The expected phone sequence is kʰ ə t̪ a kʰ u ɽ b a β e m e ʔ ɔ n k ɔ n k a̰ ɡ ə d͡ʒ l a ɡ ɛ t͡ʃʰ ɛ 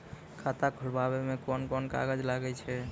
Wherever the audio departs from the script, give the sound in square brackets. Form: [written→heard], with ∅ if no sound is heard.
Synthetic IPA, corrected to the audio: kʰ [ə→a] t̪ a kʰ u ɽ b a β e m e [ʔ→k] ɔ n k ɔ n k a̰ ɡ ə d͡ʒ l a ɡ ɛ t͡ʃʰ ɛ